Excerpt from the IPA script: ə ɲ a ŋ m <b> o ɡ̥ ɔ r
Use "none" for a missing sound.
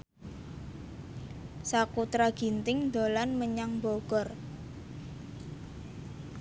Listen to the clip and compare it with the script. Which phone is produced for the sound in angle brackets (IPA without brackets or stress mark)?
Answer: b